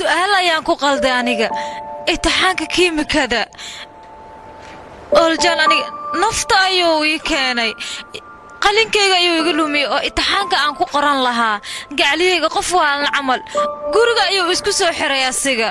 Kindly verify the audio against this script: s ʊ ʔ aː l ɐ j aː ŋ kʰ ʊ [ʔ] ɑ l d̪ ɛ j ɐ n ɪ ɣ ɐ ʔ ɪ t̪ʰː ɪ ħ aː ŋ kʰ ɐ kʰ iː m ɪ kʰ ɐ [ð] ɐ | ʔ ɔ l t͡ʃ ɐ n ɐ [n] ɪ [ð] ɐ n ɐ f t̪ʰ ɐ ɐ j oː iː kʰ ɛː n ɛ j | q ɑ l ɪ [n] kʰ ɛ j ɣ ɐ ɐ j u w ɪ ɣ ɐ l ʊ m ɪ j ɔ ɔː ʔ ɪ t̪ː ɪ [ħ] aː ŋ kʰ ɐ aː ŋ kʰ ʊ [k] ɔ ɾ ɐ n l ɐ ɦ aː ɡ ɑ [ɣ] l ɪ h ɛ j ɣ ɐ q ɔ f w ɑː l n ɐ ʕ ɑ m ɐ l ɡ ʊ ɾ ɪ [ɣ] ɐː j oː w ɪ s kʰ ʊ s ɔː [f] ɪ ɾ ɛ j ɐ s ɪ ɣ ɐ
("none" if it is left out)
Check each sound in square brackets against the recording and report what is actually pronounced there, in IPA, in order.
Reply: q, ð, n, ɣ, ŋ, ħ, q, ʕ, ɣ, ħ

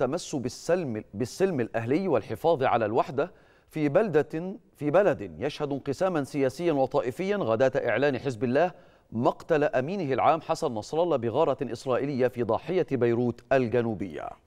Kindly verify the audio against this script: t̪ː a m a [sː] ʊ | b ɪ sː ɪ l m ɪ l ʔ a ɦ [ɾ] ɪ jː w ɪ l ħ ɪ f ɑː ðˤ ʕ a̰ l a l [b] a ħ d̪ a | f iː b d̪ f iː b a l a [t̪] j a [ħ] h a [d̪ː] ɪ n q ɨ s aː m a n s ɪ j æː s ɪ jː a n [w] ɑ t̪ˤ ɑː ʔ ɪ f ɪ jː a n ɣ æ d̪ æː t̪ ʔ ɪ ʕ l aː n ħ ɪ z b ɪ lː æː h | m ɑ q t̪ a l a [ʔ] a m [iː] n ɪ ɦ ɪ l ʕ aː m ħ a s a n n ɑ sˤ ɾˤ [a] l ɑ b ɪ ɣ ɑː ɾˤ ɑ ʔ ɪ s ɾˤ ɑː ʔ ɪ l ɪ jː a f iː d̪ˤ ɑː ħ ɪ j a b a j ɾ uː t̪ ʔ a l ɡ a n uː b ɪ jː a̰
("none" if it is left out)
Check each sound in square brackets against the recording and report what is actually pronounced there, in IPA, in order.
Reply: sː, l, w, d̪, ʃ, d̪, w, ʔ, iː, ɑ

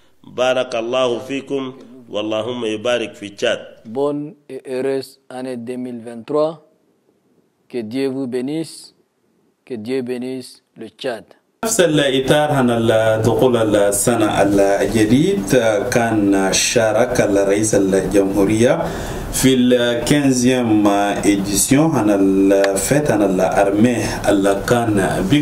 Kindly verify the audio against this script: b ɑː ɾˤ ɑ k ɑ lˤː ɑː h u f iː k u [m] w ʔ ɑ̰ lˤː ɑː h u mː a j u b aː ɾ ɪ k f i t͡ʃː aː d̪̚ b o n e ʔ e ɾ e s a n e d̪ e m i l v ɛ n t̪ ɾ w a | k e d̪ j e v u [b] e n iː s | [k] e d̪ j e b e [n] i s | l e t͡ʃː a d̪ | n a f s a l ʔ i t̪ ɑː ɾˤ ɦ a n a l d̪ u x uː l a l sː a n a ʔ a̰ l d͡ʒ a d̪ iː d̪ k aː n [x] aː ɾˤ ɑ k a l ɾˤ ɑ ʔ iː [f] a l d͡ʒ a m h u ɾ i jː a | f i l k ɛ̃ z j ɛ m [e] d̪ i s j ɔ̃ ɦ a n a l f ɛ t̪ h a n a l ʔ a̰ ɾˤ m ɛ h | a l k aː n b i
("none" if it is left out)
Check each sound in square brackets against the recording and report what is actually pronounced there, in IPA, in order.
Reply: m, b, k, n, ʃ, s, e

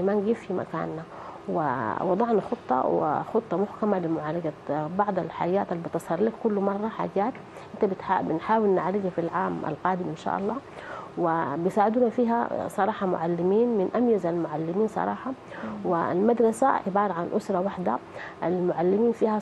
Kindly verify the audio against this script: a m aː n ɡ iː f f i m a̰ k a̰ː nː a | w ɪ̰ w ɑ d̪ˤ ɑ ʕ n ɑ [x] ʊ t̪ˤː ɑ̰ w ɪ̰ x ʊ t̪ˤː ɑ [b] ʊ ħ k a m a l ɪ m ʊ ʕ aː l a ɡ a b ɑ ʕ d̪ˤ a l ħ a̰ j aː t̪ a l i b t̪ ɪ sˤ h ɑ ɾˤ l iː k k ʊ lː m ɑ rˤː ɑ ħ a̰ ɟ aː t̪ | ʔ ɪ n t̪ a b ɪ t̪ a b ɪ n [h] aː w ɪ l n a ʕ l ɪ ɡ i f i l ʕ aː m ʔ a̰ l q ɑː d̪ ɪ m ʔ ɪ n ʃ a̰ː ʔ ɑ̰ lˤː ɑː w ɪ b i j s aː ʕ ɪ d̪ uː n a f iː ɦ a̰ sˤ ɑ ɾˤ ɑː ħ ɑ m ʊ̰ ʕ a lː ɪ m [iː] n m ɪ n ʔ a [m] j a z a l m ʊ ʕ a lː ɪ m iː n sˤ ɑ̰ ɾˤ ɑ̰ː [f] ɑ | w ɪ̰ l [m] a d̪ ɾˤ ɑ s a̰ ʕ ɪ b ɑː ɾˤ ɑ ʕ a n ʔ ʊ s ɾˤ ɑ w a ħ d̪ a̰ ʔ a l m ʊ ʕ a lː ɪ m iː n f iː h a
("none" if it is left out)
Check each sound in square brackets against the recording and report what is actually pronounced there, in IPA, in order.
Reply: x, m, ħ, iː, m, ħ, m

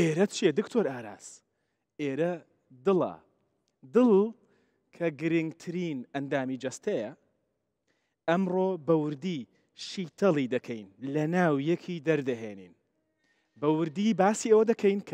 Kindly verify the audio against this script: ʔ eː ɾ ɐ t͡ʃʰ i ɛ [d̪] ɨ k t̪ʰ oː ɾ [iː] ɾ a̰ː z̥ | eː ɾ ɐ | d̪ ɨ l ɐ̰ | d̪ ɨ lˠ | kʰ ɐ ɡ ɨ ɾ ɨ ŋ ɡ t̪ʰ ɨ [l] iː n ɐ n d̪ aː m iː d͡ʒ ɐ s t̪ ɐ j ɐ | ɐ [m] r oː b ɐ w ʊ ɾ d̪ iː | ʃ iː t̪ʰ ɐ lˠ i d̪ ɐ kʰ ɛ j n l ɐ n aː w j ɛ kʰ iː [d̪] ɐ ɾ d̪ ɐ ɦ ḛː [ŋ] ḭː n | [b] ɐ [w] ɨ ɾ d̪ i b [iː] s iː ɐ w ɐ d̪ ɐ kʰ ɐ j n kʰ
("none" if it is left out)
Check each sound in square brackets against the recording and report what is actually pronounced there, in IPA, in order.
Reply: d̪, aː, ɾ, m, d̪, n, b, w, aː

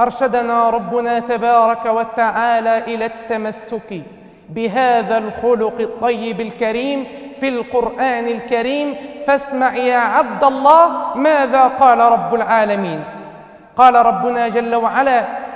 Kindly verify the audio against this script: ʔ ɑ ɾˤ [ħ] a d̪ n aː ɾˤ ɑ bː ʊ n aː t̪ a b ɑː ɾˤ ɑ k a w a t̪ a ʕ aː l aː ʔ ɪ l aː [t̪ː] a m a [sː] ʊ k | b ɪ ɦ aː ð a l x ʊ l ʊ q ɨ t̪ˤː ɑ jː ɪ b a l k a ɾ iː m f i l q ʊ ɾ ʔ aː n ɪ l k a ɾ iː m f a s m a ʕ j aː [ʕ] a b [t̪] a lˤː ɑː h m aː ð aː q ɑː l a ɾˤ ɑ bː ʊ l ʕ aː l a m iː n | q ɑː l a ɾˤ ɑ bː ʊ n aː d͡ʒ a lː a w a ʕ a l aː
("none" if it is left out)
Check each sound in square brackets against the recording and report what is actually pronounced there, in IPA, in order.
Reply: ʃ, t̪ː, sː, ʕ, d̪

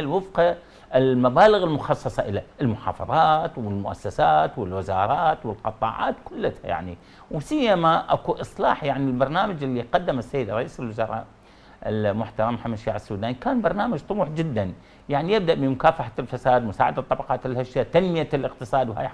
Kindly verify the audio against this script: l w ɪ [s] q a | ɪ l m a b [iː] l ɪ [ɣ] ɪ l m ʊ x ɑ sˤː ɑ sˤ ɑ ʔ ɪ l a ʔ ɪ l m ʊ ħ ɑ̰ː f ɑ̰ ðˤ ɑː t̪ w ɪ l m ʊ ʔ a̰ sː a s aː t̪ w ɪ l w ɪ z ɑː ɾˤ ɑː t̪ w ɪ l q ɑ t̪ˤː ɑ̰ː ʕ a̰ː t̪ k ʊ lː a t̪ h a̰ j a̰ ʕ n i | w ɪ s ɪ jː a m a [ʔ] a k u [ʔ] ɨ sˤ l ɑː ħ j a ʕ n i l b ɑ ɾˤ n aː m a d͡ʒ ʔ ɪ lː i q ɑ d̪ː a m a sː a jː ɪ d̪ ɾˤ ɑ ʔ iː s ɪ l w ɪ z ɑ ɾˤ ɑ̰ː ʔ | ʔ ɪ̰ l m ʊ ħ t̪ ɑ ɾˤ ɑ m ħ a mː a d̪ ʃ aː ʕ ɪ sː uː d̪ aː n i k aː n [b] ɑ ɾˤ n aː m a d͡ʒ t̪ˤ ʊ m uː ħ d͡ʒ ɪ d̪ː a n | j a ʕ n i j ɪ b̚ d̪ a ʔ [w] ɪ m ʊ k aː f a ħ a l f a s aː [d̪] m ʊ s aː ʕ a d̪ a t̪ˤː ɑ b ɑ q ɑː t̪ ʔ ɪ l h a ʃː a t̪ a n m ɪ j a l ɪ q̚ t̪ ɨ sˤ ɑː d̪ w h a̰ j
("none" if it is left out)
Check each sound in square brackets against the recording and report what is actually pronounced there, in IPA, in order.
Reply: f, aː, ɣ, ʔ, ʔ, b, b, d̪

